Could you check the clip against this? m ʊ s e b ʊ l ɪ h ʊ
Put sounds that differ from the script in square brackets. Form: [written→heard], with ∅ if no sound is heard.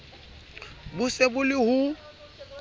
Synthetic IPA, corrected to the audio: [m→b] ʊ s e b ʊ l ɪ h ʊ